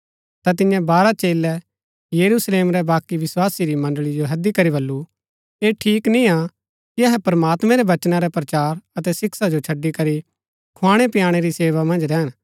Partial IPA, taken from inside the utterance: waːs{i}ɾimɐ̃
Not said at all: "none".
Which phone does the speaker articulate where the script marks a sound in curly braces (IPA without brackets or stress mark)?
i